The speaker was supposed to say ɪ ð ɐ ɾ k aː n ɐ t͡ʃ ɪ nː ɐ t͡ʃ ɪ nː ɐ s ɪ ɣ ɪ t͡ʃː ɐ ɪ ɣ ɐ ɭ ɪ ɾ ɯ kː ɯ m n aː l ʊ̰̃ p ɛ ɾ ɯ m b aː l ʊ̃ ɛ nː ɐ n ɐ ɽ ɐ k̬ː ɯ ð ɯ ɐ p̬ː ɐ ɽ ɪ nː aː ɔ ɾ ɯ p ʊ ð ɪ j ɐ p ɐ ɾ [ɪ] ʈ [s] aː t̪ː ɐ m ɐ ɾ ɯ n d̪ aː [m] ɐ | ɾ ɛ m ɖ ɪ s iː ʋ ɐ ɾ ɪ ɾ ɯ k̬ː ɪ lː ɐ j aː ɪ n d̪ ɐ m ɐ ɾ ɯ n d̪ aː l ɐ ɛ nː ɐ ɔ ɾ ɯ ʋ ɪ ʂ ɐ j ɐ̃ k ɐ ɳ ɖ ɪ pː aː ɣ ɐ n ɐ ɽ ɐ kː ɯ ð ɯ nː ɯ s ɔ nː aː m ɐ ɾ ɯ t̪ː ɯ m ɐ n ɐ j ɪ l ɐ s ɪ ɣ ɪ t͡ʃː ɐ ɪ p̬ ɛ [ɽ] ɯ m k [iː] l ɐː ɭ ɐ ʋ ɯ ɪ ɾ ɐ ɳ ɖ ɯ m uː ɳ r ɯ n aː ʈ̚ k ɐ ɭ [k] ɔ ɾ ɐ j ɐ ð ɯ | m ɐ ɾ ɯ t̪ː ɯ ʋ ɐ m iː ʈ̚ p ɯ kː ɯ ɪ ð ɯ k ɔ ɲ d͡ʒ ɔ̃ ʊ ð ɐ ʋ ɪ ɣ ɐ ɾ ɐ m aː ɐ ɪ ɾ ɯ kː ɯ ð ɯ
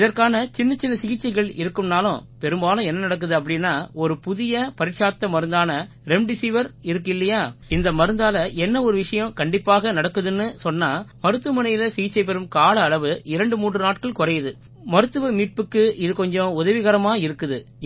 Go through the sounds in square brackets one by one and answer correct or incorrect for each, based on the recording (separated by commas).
correct, incorrect, incorrect, incorrect, incorrect, correct